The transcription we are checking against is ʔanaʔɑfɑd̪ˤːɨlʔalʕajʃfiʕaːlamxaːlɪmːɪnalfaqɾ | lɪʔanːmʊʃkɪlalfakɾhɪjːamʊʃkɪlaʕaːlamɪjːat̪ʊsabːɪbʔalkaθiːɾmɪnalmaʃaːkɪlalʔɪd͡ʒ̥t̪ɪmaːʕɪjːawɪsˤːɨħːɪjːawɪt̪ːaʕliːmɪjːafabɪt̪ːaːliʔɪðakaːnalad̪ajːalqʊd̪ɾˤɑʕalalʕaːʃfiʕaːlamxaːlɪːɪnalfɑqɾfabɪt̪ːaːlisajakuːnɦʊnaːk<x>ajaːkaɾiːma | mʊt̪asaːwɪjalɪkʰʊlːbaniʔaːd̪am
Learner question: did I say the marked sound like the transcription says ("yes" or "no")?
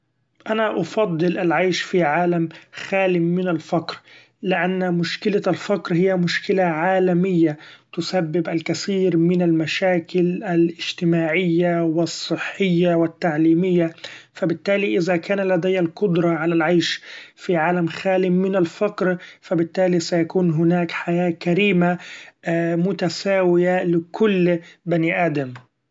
no